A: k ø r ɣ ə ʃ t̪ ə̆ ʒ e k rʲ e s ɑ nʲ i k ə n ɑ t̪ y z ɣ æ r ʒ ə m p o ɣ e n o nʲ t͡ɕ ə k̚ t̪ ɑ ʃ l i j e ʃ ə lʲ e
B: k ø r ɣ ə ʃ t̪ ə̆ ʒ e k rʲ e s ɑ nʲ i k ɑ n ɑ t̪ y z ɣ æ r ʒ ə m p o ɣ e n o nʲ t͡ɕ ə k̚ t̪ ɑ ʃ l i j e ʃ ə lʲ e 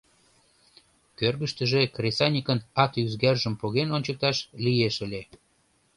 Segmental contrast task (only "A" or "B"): A